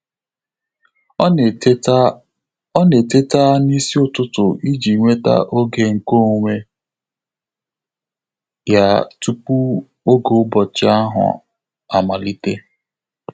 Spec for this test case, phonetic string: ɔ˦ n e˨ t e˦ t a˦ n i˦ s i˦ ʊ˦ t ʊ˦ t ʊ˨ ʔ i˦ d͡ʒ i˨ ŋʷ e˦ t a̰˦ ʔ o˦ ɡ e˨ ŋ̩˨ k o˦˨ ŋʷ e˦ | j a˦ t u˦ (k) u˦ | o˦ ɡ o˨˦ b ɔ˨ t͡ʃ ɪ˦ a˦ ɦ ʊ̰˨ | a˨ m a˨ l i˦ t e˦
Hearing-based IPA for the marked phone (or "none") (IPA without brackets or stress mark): p